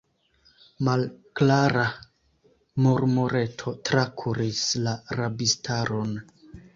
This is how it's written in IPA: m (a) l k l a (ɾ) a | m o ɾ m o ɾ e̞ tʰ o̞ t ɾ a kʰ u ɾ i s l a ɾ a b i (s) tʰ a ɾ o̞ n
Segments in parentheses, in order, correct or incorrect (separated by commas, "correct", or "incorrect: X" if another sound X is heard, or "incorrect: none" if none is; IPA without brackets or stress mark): correct, correct, correct